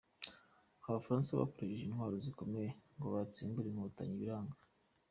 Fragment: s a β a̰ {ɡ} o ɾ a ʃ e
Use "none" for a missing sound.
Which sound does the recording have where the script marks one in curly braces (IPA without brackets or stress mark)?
k